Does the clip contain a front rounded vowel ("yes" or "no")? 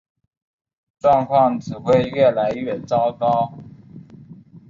no